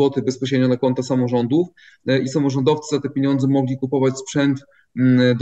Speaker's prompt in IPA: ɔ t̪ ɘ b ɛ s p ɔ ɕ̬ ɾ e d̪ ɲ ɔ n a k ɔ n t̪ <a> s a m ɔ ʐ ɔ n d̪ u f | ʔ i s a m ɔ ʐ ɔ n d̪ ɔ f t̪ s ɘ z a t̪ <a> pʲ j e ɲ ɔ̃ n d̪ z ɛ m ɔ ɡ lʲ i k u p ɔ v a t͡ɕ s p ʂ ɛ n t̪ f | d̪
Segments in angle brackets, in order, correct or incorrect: correct, incorrect

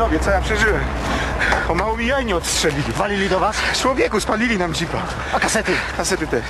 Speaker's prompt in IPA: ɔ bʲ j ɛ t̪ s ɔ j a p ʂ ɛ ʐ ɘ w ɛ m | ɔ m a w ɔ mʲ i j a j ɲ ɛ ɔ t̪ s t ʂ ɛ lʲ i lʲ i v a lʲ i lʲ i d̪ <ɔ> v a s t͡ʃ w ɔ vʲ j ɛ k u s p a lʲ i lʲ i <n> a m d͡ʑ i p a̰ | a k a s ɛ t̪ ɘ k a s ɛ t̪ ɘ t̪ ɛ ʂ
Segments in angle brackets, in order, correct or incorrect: correct, correct

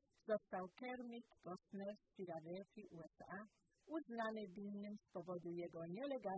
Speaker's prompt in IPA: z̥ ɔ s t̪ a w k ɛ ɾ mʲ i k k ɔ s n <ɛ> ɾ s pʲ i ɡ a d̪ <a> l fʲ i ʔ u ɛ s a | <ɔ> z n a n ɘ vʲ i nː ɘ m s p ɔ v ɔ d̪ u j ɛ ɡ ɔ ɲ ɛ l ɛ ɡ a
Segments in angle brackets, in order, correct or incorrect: correct, incorrect, incorrect

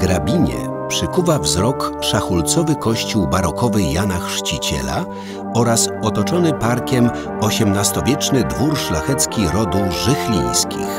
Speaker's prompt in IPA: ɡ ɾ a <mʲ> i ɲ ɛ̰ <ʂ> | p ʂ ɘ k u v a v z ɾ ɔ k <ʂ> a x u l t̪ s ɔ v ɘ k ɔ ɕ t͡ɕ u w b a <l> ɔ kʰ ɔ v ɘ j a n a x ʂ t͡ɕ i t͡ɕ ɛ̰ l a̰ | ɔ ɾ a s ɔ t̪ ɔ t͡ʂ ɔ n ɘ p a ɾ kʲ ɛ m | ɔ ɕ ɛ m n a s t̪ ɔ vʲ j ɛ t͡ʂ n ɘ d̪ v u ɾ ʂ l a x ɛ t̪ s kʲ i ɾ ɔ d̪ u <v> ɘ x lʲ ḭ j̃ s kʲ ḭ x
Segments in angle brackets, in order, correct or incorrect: incorrect, incorrect, correct, incorrect, incorrect

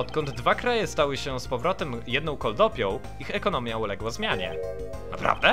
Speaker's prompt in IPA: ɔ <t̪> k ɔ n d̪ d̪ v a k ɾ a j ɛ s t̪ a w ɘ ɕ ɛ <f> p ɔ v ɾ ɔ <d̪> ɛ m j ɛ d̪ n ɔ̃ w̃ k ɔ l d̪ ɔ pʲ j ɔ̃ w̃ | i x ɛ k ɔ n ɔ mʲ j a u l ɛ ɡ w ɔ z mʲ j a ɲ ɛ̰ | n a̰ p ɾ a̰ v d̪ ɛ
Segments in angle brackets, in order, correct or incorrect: correct, incorrect, incorrect

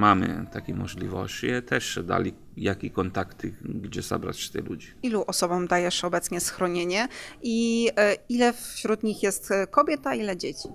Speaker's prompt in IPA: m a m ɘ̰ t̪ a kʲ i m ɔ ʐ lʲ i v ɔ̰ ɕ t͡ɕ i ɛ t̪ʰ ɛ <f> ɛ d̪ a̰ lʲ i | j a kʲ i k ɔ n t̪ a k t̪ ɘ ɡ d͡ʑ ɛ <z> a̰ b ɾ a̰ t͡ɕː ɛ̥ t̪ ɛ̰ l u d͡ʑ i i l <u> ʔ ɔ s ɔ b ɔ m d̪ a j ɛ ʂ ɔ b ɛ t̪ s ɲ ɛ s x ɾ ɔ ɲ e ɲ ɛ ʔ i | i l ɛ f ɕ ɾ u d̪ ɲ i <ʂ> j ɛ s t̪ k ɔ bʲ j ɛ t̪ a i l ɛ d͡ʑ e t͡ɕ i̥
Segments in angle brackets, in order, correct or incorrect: incorrect, correct, correct, incorrect

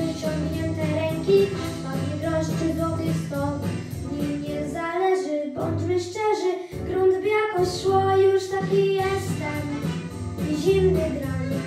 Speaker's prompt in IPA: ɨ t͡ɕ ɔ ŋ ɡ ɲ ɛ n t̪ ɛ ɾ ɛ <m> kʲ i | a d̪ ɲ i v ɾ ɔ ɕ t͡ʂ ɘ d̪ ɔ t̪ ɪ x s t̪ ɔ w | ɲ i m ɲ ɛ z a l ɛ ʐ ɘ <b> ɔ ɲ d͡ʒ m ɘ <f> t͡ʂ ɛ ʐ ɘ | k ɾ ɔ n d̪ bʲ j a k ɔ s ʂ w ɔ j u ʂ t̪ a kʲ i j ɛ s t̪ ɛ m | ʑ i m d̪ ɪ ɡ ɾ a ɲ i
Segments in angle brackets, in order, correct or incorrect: incorrect, correct, incorrect

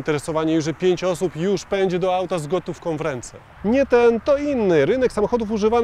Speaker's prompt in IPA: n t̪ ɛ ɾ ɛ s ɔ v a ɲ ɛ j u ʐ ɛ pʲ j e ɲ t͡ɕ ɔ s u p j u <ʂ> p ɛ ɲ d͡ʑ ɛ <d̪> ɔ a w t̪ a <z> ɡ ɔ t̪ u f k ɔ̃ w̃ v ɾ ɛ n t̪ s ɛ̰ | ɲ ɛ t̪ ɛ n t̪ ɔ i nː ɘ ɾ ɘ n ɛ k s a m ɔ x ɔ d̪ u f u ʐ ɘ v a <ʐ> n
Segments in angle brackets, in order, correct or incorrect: correct, correct, correct, incorrect

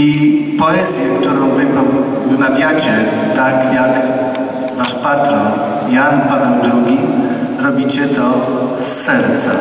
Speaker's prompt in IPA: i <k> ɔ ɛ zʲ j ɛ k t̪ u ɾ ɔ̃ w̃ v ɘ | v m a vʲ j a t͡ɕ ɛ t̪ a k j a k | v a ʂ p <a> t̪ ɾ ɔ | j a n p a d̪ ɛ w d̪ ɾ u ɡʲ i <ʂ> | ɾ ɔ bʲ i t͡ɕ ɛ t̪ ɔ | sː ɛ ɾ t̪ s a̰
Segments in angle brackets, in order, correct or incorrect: incorrect, correct, incorrect

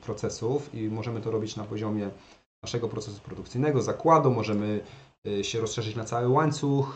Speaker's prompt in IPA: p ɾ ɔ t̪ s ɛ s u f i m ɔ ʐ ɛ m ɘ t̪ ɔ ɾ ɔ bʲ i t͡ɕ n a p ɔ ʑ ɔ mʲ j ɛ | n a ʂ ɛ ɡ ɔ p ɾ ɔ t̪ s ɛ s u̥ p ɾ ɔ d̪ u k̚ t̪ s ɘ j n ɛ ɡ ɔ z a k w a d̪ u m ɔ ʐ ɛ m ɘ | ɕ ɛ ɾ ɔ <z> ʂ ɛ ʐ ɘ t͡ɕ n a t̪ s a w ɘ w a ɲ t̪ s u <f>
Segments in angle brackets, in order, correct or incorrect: incorrect, incorrect

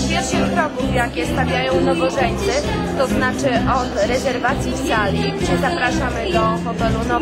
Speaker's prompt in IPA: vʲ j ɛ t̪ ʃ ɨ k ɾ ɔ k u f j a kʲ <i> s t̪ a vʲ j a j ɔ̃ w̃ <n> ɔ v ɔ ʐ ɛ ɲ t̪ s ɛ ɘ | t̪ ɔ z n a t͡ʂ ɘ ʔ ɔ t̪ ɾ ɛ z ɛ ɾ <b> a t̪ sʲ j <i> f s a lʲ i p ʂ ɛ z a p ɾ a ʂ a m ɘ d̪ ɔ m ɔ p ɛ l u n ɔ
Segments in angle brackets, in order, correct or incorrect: incorrect, correct, incorrect, correct

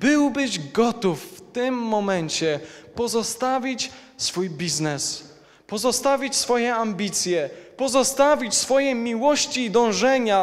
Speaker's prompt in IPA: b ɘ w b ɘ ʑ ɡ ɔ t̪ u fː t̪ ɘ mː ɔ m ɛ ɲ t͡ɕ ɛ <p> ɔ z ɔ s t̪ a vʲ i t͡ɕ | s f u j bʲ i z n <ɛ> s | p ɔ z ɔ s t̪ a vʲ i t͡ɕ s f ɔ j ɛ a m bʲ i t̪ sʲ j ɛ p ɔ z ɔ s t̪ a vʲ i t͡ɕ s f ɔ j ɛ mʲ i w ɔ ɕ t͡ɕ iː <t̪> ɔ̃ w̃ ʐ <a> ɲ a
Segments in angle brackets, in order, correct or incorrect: correct, correct, incorrect, incorrect

